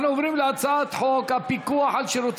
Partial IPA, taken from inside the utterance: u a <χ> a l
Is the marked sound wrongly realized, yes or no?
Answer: yes